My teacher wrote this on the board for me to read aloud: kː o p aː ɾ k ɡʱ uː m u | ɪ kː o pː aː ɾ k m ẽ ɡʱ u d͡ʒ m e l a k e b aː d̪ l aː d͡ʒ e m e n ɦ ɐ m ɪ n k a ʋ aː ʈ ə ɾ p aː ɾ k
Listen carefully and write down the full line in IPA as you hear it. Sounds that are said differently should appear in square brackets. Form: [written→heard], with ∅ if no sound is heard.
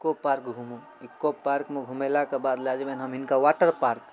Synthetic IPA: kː o p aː ɾ k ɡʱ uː m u | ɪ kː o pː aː ɾ k m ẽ ɡʱ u [d͡ʒ→∅] m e l a k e b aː d̪ l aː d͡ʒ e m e n ɦ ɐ m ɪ n k a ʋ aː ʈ ə ɾ p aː ɾ k